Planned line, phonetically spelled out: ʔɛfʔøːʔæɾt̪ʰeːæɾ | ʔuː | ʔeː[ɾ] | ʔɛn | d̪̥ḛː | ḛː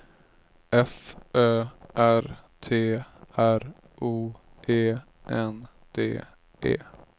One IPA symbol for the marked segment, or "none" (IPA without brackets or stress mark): none